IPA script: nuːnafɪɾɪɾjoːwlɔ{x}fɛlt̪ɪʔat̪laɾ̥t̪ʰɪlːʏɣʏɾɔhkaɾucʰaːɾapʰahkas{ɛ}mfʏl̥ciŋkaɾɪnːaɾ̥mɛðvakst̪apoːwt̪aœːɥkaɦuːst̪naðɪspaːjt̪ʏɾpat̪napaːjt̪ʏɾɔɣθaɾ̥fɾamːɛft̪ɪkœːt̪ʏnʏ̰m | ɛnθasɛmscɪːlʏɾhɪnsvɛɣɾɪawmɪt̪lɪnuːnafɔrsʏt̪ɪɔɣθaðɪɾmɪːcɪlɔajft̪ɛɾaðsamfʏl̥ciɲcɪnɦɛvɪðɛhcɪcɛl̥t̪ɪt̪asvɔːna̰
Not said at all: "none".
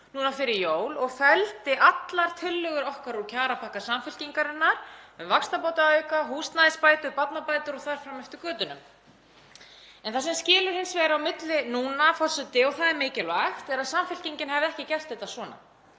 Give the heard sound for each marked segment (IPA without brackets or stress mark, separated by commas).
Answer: ɣ, a